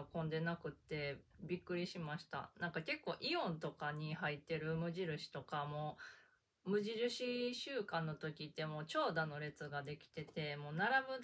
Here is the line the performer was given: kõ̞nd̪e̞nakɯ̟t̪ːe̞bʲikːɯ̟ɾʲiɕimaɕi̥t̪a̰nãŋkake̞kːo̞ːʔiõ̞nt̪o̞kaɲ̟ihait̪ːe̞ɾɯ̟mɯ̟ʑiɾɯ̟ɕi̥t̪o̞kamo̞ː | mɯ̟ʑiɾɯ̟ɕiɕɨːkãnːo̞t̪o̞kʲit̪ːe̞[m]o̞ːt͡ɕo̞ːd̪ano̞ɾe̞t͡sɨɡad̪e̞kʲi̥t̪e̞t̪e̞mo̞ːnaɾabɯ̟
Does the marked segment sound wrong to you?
no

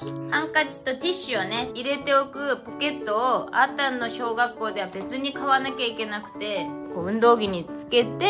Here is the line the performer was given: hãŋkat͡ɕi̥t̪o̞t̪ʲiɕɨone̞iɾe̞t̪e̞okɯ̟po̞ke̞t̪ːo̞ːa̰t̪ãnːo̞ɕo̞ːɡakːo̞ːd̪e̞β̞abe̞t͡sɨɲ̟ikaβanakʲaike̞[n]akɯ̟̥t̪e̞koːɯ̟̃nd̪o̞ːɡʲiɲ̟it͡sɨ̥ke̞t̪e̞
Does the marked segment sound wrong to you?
no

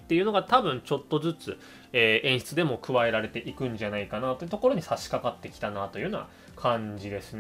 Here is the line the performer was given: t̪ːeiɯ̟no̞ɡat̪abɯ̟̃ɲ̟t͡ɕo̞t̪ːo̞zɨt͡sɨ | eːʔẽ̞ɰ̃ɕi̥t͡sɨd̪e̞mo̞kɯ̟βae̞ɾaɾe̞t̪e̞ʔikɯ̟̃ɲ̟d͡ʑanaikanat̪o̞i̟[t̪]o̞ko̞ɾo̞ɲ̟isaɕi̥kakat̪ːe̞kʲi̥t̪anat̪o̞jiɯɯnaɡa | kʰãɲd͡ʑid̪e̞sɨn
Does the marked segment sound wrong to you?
no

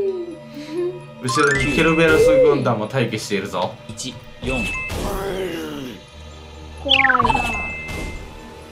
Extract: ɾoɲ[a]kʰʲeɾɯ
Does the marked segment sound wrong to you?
yes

